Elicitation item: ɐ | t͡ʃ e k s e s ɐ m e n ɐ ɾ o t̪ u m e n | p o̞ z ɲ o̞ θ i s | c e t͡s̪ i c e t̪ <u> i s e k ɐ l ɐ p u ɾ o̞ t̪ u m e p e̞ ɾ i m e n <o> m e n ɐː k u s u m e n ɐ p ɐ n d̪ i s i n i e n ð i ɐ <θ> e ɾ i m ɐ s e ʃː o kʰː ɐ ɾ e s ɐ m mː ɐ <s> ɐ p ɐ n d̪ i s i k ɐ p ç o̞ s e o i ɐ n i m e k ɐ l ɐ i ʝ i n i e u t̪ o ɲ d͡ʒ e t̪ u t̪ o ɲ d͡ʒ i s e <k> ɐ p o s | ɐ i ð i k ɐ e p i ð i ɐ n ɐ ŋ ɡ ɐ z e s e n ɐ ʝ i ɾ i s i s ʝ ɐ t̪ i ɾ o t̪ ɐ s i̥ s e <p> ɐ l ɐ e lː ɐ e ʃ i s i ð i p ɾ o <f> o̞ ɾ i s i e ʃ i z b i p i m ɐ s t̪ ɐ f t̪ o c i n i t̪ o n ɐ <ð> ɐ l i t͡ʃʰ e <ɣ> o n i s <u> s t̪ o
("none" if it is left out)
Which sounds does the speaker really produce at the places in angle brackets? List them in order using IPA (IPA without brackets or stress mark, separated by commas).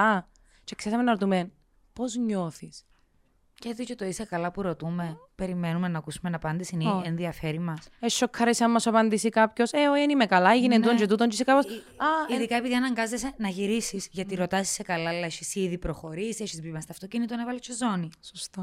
o, u, f, s, k, k, x, v, z, o